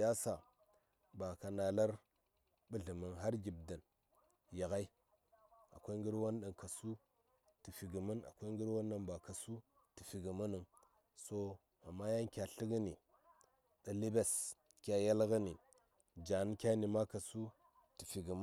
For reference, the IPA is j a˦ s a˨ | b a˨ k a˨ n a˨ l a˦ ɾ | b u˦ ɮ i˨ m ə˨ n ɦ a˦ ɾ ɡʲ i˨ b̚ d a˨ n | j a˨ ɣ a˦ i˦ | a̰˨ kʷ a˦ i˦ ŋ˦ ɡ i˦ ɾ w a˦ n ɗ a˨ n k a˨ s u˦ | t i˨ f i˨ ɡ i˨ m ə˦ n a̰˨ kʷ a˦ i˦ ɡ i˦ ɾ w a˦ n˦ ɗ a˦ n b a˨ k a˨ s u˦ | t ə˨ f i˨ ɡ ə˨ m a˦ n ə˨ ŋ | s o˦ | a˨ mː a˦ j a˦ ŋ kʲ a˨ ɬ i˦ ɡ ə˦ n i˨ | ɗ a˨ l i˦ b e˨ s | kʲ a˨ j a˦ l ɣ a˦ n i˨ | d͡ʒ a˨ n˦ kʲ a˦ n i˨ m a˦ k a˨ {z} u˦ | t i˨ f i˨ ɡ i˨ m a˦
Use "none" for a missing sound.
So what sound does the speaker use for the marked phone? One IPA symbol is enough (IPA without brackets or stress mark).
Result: s